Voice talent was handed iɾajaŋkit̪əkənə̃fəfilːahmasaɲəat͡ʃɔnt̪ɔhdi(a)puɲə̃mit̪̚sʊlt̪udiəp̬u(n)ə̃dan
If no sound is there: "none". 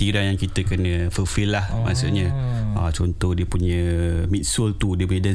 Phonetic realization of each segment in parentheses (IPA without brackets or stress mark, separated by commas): ə, ɲ